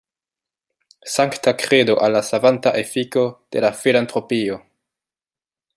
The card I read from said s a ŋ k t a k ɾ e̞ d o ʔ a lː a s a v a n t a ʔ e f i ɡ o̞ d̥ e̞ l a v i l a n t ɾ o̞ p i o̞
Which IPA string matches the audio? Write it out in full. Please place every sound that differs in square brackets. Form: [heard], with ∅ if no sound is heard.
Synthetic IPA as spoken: s a ŋ k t a k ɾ e̞ d o ʔ a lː a s a v a n t a ʔ e f i [k] o̞ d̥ e̞ l a [f] i l a n t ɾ o̞ p i o̞